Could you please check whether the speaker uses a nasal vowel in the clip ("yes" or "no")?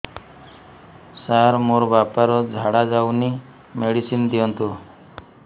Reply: no